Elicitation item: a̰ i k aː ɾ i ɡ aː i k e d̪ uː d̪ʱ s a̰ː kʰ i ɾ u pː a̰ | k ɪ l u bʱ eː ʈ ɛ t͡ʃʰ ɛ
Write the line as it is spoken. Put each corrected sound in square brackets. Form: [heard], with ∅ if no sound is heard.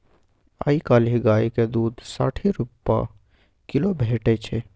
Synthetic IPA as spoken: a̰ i k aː [l] i ɡ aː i k e d̪ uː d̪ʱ s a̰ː [ʈʰ] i ɾ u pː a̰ | k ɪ l [o] bʱ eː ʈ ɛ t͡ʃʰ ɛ

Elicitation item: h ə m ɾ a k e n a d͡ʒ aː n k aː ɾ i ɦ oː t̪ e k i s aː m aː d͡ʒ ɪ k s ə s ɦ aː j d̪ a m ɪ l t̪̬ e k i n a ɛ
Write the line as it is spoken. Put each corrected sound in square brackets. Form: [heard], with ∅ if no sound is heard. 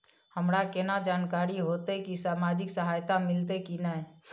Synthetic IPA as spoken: h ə m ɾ a k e n a d͡ʒ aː n k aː ɾ i ɦ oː t̪ e k i s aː m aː d͡ʒ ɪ k s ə [∅] ɦ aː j [t̪] a m ɪ l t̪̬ e k i n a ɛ

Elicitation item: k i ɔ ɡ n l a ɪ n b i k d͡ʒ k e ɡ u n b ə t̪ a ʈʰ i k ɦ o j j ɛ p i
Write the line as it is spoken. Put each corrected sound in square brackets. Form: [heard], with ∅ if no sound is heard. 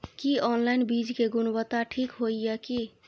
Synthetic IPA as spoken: k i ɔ [∅] n l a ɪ n b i [∅] d͡ʒ k e ɡ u n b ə t̪ a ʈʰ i k ɦ o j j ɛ [k] i

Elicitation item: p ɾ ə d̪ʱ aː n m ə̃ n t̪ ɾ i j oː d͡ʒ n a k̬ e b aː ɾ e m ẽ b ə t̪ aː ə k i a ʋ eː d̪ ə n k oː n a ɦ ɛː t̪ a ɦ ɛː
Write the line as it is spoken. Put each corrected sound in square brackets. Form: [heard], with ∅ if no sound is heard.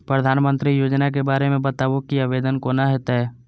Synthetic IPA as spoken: p ɾ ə d̪ʱ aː n m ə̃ n t̪ ɾ i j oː d͡ʒ n a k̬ e b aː ɾ e m ẽ b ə t̪ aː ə k i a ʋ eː d̪ ə n k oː n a ɦ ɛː t̪ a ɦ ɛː

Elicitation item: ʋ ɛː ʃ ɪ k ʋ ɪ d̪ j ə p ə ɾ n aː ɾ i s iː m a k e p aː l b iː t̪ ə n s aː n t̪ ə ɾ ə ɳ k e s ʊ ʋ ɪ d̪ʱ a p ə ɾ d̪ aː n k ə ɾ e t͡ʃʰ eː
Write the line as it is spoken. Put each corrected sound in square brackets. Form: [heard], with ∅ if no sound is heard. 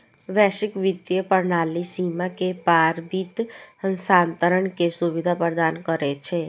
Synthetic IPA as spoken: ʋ ɛː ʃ ɪ k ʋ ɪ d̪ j ə p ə ɾ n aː [l] i s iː m a k e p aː [ɾ] b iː t̪ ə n s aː n t̪ ə ɾ ə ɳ k e s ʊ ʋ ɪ d̪ʱ a p ə ɾ d̪ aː n k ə ɾ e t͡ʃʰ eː

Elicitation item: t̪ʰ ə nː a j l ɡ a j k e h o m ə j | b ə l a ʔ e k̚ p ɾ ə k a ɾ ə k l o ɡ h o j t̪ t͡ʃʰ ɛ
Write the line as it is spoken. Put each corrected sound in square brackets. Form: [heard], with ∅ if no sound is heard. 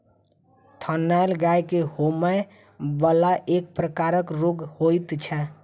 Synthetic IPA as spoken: t̪ʰ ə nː a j l ɡ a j k e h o m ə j | b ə l a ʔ e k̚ p ɾ ə k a ɾ ə k [ɾ] o ɡ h o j t̪ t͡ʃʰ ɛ

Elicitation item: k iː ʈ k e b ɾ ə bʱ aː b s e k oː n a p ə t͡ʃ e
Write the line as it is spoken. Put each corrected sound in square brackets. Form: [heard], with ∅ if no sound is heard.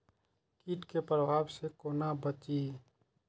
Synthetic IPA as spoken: k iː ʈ k e [p] ɾ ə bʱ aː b s e k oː n a [b] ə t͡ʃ [i]

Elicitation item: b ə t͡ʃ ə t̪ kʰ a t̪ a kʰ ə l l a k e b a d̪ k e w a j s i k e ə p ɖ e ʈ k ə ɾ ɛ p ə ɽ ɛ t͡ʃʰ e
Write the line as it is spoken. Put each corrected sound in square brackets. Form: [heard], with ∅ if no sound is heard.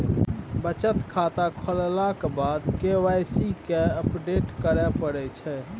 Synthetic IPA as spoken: b ə t͡ʃ ə t̪ kʰ a t̪ a kʰ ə l l a k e b a d̪ k e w a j s i k e ə p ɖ e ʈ k ə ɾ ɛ p ə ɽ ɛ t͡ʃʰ [ɛ]

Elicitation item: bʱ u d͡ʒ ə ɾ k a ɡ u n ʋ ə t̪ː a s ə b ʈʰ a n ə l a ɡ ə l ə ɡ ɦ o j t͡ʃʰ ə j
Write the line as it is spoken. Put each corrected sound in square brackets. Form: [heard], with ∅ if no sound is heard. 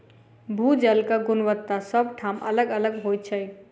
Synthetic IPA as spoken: bʱ u d͡ʒ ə [l] k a ɡ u n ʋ ə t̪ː a s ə b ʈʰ a [m] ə l [ə] ɡ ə l ə ɡ ɦ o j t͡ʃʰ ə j

